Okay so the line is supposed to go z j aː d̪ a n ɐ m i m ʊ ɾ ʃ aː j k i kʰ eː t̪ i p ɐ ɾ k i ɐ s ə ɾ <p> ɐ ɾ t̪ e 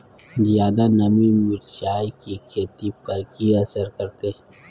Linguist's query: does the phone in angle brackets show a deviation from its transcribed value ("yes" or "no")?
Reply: yes